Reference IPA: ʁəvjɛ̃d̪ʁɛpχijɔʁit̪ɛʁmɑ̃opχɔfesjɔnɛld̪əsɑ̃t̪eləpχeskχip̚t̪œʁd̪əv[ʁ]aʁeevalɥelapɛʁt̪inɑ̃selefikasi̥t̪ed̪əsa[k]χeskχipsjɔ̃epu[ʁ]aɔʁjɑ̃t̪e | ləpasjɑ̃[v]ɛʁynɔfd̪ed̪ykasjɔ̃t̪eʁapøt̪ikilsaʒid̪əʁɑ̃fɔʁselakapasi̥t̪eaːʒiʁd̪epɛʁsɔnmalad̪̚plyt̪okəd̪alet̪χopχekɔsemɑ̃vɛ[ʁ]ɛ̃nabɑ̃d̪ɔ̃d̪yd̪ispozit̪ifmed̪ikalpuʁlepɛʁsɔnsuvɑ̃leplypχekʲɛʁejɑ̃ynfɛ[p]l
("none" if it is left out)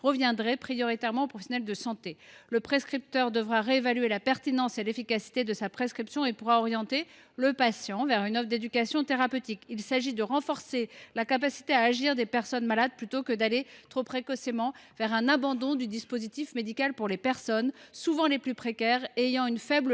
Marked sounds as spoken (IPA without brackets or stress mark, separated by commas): ʁ, p, ʁ, v, ʁ, b